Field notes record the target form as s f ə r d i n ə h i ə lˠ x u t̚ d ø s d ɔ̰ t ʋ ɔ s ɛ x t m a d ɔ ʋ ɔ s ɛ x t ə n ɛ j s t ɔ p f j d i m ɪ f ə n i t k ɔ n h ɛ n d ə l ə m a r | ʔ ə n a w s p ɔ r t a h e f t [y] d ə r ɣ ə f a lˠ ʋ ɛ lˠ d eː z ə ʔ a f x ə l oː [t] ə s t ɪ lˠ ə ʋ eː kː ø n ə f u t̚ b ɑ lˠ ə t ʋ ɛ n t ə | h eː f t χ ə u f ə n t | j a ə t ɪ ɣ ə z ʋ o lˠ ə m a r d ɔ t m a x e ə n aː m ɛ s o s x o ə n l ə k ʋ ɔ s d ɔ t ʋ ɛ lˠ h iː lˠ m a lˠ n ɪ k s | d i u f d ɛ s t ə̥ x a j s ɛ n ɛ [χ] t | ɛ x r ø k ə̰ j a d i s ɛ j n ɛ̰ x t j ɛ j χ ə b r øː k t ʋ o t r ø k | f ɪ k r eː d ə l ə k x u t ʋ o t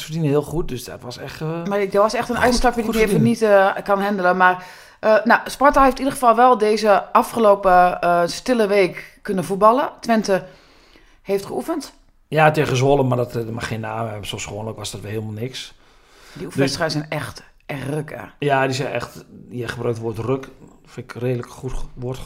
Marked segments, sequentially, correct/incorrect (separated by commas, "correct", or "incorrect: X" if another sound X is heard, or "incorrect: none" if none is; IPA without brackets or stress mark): incorrect: i, incorrect: p, incorrect: x